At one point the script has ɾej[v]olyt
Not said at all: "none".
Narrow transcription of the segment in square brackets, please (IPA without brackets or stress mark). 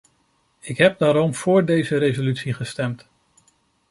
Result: z